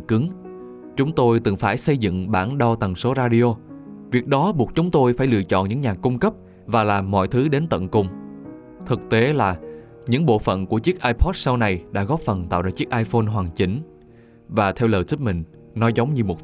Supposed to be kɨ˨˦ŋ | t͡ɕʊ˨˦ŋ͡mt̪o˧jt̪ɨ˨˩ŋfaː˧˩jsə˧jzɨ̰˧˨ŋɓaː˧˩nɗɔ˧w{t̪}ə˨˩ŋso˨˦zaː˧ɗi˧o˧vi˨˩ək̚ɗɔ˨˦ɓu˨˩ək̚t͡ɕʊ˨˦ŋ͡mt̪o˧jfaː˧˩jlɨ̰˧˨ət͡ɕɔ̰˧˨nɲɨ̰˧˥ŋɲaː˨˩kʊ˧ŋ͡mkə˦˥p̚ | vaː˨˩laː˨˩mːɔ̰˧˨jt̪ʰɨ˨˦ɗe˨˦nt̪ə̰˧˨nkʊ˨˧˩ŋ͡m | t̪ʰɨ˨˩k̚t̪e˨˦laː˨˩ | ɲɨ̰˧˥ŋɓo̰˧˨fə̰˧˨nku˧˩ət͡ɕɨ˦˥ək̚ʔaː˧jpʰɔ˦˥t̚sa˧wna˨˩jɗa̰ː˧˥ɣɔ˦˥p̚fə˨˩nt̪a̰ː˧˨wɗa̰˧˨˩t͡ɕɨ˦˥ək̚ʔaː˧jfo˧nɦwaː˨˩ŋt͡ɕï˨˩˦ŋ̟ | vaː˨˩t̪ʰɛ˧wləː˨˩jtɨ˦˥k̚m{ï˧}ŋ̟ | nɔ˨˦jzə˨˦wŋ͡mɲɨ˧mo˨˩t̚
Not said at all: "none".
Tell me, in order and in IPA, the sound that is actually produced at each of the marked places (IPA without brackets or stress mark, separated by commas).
t̪, ï˨˩